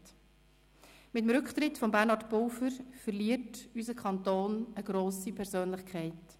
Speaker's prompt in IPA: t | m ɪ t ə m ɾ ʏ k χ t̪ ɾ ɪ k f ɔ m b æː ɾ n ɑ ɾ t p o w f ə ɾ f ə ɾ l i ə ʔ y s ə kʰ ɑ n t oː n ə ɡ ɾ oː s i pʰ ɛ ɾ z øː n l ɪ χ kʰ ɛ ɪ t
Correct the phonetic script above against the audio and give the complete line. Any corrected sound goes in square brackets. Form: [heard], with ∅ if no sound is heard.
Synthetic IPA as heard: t | m ɪ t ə m ɾ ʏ k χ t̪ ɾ ɪ [t] f ɔ m b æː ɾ n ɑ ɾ t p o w f ə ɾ f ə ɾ l i ə [t] y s ə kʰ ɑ n t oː n ə ɡ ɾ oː s i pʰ ɛ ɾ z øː n l ɪ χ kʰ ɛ ɪ t